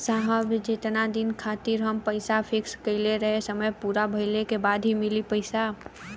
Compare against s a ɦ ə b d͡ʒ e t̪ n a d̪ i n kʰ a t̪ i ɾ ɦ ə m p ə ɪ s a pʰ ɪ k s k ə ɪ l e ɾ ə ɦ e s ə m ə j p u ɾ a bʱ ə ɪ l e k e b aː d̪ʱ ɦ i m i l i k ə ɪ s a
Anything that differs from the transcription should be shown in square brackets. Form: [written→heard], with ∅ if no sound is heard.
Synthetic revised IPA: s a ɦ ə b d͡ʒ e t̪ n a d̪ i n kʰ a t̪ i ɾ ɦ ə m p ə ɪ s a pʰ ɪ k s k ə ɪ l e ɾ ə ɦ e s ə m ə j p u ɾ a bʱ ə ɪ l e k e b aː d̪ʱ ɦ i m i l i [k→p] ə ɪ s a